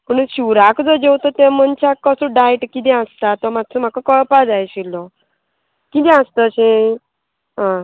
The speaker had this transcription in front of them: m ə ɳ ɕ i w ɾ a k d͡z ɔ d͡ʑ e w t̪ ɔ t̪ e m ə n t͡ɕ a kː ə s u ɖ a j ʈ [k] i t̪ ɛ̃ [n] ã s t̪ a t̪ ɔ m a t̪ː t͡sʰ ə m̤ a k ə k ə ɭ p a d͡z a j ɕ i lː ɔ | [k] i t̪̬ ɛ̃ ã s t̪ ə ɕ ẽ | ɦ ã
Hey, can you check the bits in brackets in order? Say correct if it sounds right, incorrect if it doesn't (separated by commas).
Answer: correct, incorrect, correct